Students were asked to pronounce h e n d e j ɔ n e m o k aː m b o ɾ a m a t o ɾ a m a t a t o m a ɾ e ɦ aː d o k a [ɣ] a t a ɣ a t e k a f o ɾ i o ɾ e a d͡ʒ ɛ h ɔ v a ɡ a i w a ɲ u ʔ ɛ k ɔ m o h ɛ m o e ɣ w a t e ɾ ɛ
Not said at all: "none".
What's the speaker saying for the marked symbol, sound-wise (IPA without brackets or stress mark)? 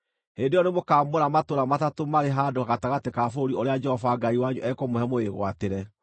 ɣ